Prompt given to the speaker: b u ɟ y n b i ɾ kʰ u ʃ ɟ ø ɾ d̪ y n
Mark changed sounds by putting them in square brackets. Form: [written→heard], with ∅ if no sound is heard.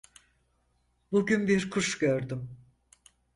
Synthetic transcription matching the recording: b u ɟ y n b i ɾ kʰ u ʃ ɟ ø ɾ d̪ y [n→m]